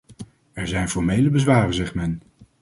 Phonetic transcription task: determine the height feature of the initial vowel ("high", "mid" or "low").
mid